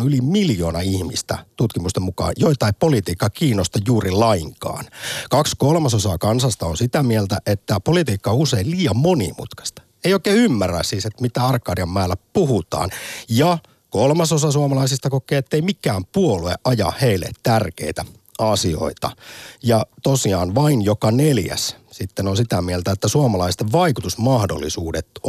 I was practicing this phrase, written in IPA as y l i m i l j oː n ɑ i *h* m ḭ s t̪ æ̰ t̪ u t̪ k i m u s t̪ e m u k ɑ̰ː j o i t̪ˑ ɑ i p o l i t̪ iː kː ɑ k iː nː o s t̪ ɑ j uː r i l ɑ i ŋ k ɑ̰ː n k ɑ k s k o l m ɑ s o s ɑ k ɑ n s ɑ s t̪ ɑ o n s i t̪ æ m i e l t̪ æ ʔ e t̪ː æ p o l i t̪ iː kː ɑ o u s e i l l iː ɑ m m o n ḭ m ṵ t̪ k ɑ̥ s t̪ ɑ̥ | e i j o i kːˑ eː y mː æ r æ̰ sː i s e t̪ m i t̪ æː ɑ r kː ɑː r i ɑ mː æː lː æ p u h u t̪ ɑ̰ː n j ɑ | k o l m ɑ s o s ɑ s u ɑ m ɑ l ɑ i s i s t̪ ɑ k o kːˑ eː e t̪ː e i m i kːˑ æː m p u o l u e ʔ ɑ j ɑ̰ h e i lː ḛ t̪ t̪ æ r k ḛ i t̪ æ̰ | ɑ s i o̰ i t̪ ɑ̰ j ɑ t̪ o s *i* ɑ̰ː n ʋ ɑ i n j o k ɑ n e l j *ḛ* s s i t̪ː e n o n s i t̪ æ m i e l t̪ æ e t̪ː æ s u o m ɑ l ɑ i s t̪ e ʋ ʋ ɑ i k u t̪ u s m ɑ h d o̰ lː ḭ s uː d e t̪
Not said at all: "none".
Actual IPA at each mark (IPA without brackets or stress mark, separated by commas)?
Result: h, i, æ̰